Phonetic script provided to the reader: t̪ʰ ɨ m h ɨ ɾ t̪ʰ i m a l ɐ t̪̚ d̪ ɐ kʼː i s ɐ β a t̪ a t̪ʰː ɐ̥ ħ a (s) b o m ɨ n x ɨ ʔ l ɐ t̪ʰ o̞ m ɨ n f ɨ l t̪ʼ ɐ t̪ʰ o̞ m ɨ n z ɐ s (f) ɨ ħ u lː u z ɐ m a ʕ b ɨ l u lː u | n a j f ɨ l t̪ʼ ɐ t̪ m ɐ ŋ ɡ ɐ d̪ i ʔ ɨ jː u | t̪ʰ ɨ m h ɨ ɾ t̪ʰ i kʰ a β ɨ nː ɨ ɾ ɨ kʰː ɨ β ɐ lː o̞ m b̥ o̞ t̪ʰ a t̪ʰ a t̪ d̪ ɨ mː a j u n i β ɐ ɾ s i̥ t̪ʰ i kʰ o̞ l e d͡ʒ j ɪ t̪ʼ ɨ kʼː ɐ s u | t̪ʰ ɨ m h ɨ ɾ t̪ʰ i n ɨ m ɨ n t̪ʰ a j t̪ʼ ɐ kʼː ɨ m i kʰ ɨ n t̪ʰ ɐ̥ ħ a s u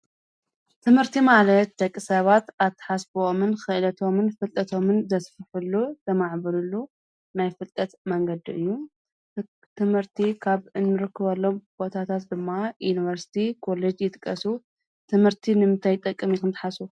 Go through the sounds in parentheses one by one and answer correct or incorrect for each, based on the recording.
correct, correct

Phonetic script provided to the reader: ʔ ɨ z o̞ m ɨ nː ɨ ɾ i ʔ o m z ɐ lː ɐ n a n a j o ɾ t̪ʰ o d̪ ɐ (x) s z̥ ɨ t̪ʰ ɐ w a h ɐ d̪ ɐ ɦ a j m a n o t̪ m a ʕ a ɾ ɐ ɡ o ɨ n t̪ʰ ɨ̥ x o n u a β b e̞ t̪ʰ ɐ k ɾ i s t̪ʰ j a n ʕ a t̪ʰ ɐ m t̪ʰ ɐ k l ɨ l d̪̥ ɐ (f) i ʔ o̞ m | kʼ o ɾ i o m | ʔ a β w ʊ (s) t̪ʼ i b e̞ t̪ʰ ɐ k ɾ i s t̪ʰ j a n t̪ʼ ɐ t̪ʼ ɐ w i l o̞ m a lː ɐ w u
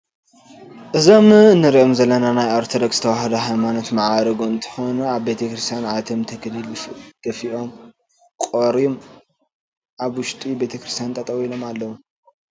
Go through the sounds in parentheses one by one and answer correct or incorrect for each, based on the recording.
incorrect, correct, incorrect

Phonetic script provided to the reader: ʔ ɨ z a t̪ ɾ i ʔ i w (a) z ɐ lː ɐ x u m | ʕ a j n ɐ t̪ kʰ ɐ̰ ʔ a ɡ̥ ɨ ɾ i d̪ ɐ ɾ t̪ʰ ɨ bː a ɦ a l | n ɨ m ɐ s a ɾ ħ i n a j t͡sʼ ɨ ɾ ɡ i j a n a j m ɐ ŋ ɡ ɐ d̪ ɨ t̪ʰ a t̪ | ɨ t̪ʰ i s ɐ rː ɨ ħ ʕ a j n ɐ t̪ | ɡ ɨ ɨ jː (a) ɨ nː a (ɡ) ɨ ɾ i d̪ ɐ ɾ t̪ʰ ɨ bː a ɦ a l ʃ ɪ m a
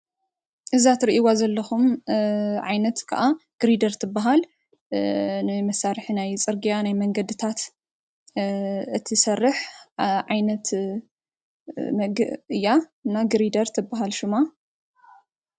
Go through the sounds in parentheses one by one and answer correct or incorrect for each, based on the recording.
correct, correct, correct

